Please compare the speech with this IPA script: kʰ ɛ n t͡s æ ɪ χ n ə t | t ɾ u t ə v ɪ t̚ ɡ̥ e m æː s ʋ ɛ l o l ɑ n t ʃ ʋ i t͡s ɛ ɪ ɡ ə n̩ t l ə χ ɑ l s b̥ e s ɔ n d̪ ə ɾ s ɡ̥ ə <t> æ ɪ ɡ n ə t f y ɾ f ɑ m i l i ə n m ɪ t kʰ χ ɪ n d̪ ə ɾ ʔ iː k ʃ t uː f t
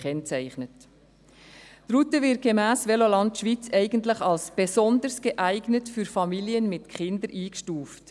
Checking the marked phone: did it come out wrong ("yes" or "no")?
yes